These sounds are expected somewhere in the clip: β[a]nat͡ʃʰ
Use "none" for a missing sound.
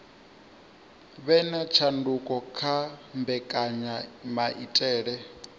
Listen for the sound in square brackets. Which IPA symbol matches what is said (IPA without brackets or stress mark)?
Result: ɛ